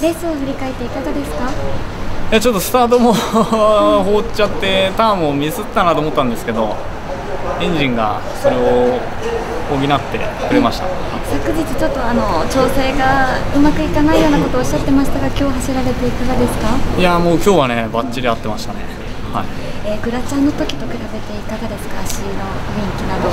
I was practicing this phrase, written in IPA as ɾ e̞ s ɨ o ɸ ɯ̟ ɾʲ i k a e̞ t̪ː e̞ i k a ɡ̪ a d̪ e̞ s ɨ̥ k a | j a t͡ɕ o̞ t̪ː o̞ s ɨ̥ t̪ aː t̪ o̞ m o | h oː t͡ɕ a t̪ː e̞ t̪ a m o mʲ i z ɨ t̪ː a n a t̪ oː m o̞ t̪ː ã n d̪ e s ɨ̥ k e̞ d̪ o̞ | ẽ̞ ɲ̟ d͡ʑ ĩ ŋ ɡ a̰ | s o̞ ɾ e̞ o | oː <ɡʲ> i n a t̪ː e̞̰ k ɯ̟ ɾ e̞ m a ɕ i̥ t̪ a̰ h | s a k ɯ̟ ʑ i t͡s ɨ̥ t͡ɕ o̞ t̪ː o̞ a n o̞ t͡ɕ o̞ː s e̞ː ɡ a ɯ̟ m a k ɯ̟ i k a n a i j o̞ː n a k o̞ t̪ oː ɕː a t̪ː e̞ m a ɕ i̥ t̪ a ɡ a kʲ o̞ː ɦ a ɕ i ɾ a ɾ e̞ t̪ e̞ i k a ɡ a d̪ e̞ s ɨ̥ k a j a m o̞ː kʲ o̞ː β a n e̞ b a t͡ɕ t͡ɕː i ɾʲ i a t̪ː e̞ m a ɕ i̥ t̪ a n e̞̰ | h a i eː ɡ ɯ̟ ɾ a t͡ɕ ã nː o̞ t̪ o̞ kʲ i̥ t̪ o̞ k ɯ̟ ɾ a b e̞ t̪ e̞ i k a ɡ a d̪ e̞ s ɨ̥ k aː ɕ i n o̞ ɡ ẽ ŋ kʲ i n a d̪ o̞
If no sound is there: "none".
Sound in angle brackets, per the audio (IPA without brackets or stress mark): ɡʲ